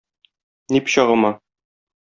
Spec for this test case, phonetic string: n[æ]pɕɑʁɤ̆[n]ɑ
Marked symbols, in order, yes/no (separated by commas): no, no